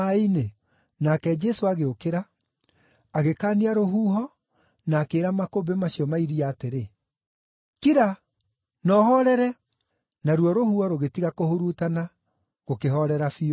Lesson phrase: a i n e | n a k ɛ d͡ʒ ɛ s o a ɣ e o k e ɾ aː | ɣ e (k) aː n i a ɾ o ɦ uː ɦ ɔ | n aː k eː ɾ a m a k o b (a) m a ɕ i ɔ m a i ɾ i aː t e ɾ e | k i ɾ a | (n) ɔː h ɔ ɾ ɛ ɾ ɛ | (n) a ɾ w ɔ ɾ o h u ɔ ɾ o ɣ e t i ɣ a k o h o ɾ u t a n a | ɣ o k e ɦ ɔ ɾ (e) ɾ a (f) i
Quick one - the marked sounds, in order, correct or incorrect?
correct, incorrect: e, correct, correct, incorrect: ɛ, correct

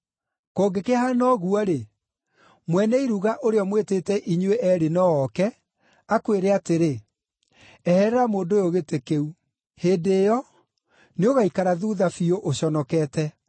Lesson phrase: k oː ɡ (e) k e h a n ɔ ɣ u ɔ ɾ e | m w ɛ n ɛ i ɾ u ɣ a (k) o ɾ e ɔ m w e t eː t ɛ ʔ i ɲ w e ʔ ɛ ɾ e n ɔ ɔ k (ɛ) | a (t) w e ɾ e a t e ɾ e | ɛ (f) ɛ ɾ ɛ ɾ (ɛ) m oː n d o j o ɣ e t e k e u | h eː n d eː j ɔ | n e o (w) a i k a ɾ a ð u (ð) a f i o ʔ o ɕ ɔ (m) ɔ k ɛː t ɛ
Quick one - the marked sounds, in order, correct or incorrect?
correct, incorrect: ʔ, correct, incorrect: k, incorrect: h, incorrect: a, incorrect: ɣ, correct, incorrect: n

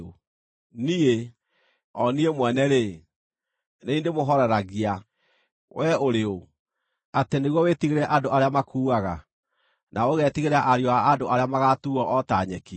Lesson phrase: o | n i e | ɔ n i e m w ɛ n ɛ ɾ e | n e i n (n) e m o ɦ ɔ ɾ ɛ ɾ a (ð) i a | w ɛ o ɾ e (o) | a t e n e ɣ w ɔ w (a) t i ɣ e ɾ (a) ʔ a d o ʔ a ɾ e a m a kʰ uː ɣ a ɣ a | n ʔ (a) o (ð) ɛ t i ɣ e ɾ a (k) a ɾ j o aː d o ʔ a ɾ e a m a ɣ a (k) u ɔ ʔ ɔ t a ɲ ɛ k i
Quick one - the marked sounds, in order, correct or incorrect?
incorrect: d, incorrect: ɣ, correct, incorrect: e, incorrect: ɛ, correct, incorrect: ɣ, incorrect: ʔ, incorrect: t

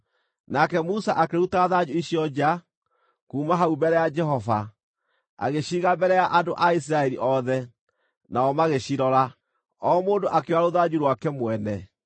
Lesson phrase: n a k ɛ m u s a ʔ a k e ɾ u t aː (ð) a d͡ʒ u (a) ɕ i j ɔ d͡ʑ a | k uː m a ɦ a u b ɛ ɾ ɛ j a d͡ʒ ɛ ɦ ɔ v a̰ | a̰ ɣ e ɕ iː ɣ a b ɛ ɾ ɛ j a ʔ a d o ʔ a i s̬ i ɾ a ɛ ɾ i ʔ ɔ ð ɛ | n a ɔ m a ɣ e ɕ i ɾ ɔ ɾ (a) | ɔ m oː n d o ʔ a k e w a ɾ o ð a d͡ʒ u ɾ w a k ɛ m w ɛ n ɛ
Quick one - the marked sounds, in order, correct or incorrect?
correct, incorrect: i, correct

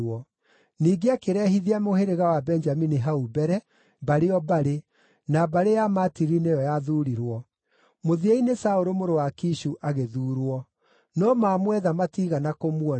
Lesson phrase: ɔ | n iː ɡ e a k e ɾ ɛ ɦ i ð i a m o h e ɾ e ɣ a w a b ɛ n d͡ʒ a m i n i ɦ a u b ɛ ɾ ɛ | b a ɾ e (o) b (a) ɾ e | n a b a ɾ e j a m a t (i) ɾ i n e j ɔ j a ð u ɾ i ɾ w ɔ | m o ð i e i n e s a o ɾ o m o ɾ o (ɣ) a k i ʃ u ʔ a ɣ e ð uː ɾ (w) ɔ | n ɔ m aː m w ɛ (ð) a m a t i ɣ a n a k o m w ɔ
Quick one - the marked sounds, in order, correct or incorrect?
incorrect: ɔ, correct, correct, incorrect: w, correct, correct

